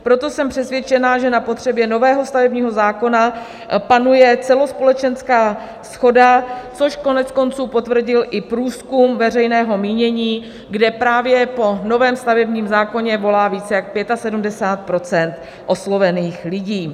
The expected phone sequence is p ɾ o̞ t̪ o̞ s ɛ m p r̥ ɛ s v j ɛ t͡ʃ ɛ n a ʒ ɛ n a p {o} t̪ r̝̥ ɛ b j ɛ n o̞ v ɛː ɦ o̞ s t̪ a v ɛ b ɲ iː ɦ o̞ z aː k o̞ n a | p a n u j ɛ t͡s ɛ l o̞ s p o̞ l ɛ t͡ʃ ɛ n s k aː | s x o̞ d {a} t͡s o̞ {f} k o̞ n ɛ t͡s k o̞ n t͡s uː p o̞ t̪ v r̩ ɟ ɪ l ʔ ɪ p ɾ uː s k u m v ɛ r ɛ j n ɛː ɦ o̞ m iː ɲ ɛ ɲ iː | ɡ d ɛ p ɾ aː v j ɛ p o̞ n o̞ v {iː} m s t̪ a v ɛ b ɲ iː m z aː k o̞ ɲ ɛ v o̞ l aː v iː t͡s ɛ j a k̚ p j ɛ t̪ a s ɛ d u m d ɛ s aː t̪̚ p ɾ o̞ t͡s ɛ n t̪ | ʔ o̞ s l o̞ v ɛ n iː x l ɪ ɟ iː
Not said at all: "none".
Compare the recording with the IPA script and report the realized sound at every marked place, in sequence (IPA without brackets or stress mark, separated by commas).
o, a, ʃ, ɛː